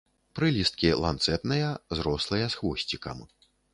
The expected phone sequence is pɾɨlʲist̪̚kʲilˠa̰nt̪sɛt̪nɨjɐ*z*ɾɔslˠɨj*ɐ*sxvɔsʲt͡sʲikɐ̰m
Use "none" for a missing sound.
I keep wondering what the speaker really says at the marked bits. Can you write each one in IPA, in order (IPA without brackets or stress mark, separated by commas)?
z, ɐ